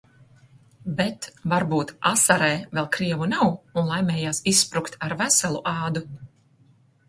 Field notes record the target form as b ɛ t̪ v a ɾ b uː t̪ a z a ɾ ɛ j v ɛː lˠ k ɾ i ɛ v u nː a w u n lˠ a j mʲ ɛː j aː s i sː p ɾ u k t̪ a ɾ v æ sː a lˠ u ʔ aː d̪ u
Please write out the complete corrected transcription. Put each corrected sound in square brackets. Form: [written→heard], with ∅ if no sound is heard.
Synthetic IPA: b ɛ t̪ v a ɾ b uː t̪ a [z→s] a ɾ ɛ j v [ɛː→ɛ] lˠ k ɾ i ɛ v u [nː→n] a w u n lˠ a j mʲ ɛː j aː s i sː p ɾ u k t̪ a ɾ v æ [sː→s] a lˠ u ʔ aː d̪ u